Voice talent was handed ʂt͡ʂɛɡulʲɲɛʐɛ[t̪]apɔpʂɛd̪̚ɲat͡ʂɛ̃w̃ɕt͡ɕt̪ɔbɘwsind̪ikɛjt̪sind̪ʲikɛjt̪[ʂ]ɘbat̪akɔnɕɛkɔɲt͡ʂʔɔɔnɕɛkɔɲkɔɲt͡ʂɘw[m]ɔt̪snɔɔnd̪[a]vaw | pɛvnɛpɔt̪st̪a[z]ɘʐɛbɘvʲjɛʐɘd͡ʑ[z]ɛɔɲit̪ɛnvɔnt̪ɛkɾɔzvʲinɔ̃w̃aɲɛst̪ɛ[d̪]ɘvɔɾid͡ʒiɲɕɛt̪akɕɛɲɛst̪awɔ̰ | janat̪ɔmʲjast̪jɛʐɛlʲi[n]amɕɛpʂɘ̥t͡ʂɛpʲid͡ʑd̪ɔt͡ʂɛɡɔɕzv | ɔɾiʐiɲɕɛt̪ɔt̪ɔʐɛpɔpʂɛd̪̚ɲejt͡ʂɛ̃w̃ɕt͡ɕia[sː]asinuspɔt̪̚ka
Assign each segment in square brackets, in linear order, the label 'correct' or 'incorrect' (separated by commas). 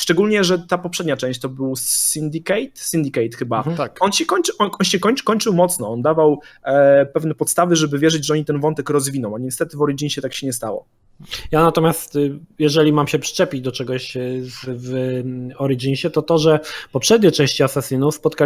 correct, incorrect, correct, correct, incorrect, incorrect, incorrect, incorrect, incorrect